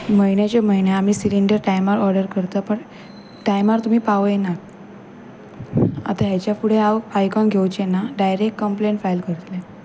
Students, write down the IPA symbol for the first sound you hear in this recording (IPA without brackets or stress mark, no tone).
m